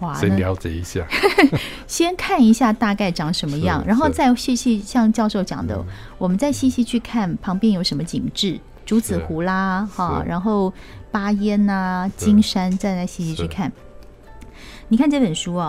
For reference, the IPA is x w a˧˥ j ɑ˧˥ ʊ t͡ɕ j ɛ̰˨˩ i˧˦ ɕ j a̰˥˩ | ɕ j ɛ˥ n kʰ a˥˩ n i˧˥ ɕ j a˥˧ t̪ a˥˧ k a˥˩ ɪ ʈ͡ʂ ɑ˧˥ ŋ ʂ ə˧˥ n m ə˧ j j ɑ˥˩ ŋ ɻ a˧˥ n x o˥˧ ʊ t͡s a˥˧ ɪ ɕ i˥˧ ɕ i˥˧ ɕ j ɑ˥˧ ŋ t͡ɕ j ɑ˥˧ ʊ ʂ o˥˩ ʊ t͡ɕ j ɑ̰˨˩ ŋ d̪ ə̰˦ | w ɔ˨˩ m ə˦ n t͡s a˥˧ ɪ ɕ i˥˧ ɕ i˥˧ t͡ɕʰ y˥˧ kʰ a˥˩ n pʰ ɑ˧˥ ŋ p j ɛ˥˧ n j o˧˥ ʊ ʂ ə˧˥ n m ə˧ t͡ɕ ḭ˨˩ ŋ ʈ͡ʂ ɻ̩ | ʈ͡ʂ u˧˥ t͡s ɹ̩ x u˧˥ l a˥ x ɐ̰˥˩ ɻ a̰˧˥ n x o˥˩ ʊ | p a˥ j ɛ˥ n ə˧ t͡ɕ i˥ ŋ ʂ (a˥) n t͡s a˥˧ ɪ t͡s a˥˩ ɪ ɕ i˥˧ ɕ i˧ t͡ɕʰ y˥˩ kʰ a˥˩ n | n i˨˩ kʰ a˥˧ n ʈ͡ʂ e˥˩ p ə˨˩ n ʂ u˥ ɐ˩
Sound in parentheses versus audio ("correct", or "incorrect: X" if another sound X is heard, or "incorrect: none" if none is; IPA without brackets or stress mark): correct